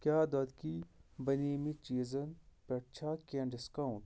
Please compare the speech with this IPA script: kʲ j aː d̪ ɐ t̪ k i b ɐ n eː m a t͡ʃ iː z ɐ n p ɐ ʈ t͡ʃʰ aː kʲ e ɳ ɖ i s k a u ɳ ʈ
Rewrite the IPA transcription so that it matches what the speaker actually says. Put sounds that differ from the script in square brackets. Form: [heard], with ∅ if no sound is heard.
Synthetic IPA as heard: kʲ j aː d̪ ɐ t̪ k i b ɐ n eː m [i] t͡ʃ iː z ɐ n p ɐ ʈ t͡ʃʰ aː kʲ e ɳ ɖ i s k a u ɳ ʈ